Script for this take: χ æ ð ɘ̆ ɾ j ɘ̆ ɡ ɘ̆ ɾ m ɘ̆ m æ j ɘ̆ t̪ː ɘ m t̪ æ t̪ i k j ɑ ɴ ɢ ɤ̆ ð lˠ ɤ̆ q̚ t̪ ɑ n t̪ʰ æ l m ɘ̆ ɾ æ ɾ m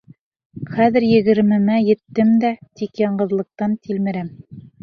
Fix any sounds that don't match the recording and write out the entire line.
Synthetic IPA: χ æ ð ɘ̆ ɾ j ɘ̆ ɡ ɘ̆ ɾ m ɘ̆ m æ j ɘ̆ t̪ː ɘ m d̪ æ t̪ i k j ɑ ɴ ɢ ɤ̆ ð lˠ ɤ̆ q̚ t̪ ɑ n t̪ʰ i l m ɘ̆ ɾ æ m